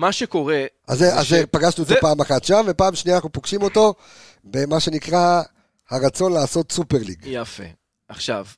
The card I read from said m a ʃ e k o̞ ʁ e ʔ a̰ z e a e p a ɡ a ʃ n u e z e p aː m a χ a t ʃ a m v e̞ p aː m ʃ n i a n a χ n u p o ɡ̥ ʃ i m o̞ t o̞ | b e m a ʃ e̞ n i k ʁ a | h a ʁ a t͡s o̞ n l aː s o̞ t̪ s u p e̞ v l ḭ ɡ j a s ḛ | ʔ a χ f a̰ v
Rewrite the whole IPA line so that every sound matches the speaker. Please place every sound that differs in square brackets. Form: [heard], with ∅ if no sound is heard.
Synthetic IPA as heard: m a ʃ e k o̞ ʁ e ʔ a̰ z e a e p a ɡ a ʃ n u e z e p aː m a χ a t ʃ a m v e̞ p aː m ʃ n i a n a χ n u p o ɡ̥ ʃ i m o̞ t o̞ | b e m a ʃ e̞ n i k ʁ a | h a ʁ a t͡s o̞ n l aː s o̞ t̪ s u p e̞ [ʁ] l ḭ ɡ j a [f] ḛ | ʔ a χ [ʃ] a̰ v